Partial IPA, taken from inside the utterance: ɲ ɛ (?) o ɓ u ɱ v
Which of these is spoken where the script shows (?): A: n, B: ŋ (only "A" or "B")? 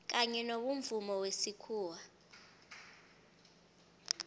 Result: A